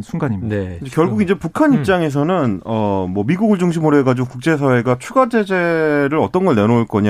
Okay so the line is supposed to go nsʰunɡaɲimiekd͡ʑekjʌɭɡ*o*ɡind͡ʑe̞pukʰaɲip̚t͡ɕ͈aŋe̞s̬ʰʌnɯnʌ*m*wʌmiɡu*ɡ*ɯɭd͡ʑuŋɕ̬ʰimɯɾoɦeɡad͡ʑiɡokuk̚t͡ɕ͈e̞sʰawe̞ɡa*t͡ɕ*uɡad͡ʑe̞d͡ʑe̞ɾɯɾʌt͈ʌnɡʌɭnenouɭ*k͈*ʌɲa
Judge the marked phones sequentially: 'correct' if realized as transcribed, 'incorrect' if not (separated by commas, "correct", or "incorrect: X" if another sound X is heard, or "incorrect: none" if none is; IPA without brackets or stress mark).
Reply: incorrect: u, correct, correct, incorrect: t͡ɕʰ, correct